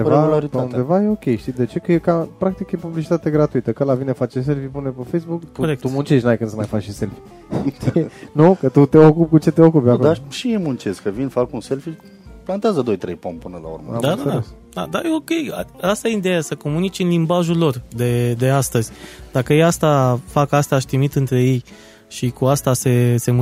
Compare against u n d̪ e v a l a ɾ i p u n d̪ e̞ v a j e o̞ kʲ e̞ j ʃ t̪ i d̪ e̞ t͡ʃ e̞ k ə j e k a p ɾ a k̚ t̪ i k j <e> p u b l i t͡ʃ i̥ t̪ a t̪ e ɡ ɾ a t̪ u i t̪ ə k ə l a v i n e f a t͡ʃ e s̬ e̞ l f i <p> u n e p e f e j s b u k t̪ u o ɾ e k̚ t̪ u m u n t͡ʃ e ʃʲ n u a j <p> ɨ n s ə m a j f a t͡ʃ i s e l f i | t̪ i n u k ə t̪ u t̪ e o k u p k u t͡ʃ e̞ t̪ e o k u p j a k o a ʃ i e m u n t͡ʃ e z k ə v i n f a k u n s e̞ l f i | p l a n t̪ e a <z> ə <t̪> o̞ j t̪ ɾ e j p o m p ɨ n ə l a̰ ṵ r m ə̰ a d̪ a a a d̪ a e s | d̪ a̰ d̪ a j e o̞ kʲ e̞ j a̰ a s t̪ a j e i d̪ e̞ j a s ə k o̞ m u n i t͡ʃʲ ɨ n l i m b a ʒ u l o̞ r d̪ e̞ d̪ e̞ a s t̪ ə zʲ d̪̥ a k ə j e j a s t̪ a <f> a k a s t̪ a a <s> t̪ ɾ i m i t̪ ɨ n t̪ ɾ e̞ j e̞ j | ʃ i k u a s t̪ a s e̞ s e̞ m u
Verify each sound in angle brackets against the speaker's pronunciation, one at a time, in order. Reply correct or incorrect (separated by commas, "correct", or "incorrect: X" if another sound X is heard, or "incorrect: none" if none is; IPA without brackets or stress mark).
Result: correct, correct, incorrect: k, correct, incorrect: d̪, correct, incorrect: ʃ